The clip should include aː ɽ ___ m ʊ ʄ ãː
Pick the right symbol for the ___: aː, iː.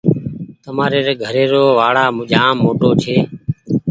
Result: aː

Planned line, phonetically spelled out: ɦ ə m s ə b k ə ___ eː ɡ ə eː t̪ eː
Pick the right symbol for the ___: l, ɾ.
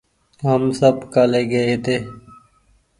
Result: l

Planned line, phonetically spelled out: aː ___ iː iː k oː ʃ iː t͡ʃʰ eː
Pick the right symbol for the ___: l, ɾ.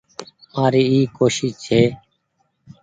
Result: ɾ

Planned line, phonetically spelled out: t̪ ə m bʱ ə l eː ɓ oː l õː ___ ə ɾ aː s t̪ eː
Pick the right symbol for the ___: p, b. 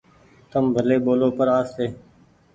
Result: p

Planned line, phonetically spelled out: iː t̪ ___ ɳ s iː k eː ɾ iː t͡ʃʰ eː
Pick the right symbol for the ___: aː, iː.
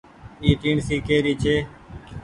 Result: iː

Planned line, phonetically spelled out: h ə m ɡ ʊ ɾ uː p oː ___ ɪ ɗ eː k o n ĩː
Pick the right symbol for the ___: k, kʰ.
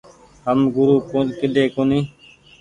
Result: k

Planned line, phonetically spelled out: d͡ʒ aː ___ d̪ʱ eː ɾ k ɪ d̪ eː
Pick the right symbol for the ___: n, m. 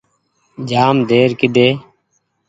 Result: m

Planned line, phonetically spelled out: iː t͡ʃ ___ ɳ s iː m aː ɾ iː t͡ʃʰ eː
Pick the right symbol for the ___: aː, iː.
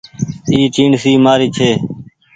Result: iː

